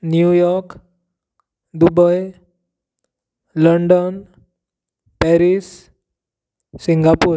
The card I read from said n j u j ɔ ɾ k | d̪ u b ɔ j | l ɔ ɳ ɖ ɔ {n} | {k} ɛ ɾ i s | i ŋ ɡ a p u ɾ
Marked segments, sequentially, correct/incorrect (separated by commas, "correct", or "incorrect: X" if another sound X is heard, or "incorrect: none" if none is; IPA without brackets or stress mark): correct, incorrect: p